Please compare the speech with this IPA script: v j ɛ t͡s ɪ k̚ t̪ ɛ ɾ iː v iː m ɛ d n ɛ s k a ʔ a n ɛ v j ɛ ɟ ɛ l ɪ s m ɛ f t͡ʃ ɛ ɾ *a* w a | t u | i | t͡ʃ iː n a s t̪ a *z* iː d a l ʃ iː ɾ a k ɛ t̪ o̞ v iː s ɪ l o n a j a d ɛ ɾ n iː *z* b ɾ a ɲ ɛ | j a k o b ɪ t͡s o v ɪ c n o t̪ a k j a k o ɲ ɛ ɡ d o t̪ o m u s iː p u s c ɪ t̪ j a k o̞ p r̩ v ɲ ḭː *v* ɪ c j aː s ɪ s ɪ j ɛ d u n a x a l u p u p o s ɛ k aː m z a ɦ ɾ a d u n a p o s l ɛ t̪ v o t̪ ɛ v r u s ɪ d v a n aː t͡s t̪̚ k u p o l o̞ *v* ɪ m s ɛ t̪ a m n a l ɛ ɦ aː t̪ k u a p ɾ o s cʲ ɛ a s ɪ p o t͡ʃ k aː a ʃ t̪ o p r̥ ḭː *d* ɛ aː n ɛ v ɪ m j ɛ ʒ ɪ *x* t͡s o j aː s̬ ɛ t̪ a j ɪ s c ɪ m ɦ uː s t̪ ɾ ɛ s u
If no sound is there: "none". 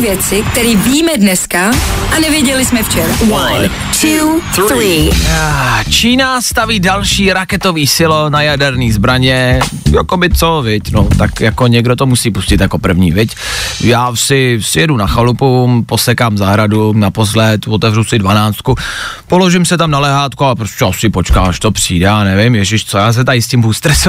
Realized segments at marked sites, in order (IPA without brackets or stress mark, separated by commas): a, v, z, v, ʒ, d, ʃ